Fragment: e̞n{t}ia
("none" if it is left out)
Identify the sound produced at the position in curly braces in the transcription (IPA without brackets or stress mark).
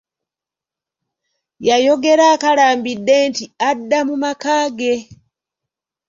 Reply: t